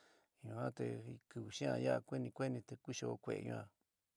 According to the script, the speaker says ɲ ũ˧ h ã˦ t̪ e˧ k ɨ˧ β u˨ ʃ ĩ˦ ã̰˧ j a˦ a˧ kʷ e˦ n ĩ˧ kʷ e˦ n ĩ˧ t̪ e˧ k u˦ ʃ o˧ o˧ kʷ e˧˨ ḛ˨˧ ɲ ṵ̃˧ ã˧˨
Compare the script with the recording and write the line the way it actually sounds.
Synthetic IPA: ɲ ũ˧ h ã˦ t̪ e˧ k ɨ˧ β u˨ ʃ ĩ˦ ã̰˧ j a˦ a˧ kʷ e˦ n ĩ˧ kʷ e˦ n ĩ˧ t̪ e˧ k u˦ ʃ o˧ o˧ kʷ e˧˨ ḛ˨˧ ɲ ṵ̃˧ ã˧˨